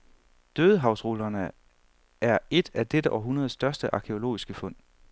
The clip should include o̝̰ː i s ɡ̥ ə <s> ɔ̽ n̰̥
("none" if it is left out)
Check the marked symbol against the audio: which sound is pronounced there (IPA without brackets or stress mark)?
f